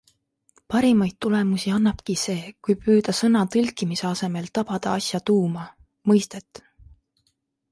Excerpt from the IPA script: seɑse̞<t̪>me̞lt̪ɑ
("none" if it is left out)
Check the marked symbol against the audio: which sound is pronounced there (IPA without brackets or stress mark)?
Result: none